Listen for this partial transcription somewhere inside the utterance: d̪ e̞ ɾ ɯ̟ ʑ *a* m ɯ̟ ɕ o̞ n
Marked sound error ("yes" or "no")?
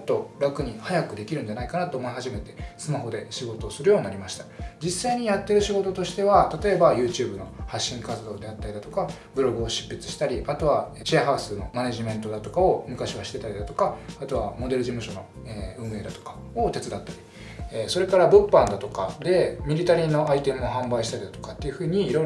yes